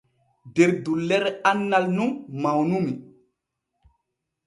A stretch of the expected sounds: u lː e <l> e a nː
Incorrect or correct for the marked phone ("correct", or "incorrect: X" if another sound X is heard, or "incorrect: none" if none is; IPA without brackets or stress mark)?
incorrect: ɾ